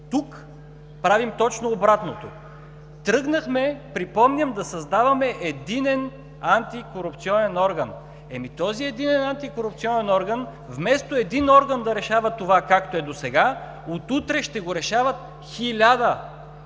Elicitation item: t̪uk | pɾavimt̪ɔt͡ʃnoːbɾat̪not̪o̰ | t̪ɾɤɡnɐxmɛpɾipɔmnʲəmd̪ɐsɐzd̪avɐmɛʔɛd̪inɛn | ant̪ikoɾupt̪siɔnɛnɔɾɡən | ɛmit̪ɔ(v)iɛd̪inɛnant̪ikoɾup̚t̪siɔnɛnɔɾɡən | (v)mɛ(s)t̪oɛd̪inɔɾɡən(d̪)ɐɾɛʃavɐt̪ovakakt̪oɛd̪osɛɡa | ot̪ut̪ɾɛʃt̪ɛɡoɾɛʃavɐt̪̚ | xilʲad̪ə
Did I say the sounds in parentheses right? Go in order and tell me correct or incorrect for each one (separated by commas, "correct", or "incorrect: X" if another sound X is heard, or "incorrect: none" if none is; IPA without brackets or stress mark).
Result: incorrect: z, correct, correct, correct